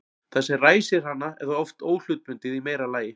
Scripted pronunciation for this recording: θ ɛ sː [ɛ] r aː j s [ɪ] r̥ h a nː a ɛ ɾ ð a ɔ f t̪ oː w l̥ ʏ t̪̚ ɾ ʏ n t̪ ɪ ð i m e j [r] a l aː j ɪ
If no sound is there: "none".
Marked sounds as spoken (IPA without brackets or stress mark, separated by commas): ɛ, ɪ, ɾ